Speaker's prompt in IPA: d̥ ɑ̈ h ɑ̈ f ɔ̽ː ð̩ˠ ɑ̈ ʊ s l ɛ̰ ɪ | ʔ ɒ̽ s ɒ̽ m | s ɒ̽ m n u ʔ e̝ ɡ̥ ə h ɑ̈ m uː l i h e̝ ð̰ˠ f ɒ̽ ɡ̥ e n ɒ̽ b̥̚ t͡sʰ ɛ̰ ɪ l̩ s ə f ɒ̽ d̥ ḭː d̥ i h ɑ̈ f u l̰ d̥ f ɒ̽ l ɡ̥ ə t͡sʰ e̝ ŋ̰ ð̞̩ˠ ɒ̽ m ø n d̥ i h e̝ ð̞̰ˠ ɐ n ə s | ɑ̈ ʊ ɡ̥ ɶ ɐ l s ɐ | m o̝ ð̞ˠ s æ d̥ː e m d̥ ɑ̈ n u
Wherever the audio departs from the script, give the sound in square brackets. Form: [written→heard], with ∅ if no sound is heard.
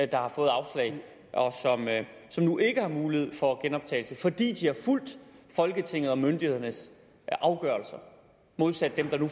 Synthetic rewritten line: d̥ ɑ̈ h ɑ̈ f ɔ̽ː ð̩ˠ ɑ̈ ʊ s l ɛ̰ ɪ | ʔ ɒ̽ s ɒ̽ m | s ɒ̽ m n u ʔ e̝ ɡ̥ ə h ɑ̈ m uː l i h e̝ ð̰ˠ f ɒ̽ ɡ̥ e n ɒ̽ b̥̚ t͡sʰ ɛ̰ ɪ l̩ s ə f ɒ̽ d̥ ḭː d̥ i h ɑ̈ f u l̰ d̥ f ɒ̽ l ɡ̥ ə t͡sʰ e̝ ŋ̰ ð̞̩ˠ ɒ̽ m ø n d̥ i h e̝ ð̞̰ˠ ɐ n ə s | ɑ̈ ʊ ɡ̥ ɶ ɐ l s ɐ | m o̝ ð̞ˠ s æ d̥ː e m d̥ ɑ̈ n u